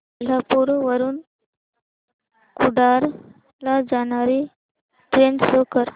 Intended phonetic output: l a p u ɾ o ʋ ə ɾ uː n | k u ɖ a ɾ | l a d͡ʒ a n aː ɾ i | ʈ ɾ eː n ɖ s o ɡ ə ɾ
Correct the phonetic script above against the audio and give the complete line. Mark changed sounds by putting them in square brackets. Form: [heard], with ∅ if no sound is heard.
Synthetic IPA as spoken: l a p u ɾ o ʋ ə ɾ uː n | k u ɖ a ɾ | l a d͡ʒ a n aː ɾ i | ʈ ɾ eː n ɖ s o [k] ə ɾ